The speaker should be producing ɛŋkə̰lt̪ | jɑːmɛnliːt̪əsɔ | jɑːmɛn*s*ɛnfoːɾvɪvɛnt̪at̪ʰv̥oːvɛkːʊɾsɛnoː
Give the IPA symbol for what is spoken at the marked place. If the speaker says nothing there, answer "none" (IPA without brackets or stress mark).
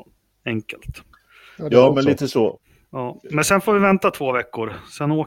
s